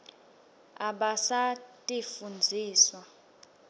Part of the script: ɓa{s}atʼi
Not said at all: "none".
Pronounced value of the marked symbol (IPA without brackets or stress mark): s